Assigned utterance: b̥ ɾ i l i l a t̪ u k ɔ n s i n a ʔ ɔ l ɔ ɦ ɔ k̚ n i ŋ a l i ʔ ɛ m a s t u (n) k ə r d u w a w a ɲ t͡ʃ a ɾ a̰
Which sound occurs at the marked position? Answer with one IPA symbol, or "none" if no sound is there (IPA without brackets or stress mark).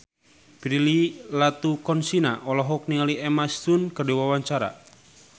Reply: n